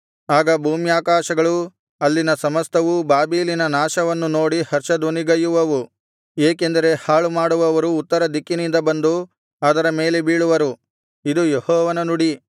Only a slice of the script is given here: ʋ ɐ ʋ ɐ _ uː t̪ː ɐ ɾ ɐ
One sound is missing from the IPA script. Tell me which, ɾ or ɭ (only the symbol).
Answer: ɾ